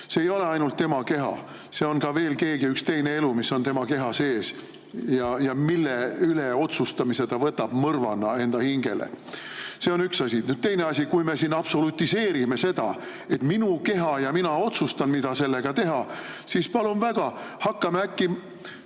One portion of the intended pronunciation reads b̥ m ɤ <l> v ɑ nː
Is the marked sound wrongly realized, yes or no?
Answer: yes